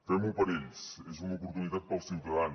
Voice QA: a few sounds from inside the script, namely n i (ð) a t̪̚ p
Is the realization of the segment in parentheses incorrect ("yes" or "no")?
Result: no